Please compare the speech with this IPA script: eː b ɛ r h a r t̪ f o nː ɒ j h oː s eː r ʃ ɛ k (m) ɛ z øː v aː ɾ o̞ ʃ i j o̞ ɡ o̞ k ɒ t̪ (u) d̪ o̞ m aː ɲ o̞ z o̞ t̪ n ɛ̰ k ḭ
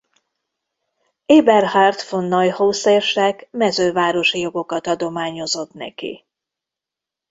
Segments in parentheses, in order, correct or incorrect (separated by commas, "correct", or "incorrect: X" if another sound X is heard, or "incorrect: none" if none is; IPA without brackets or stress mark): correct, incorrect: ɒ